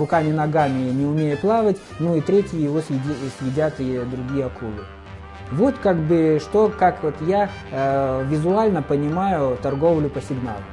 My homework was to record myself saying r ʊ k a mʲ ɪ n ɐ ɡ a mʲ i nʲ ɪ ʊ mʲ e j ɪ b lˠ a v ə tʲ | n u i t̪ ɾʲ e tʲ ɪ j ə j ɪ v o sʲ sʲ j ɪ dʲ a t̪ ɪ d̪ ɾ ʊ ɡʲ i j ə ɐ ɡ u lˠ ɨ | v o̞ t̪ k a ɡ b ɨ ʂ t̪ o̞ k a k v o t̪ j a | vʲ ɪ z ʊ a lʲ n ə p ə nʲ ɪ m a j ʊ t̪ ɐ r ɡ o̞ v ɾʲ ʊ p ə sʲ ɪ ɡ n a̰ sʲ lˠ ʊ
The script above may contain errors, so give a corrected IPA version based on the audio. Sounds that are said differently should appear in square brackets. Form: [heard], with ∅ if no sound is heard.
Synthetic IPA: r ʊ k a mʲ ɪ n ɐ ɡ a mʲ [ɪ] nʲ ɪ ʊ mʲ e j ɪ [p] lˠ a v ə tʲ | n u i t̪ ɾʲ e tʲ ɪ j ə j ɪ v o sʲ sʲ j ɪ dʲ a t̪ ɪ d̪ ɾ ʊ ɡʲ i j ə ɐ [k] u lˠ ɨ | v o̞ t̪ k a ɡ b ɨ ʂ t̪ o̞ k a k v o t̪ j a | vʲ ɪ z ʊ a lʲ n ə p ə nʲ ɪ m a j ʊ t̪ ɐ r ɡ o̞ v [lʲ] ʊ p ə sʲ ɪ ɡ n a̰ [∅] lˠ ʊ